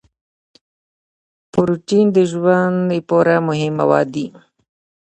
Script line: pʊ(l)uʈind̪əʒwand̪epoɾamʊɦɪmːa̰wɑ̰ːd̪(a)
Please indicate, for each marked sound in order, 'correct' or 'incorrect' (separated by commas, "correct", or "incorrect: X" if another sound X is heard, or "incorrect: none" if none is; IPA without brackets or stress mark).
incorrect: ɾ, incorrect: i